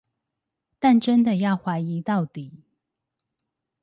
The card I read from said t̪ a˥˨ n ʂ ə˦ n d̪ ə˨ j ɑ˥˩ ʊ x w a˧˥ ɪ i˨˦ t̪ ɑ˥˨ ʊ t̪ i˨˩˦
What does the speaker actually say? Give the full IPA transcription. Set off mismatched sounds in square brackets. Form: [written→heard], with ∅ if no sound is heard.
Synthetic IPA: t̪ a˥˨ n [ʂ→ʈ͡ʂ] ə˦ n d̪ ə˨ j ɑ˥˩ ʊ x w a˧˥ ɪ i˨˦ t̪ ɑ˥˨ ʊ t̪ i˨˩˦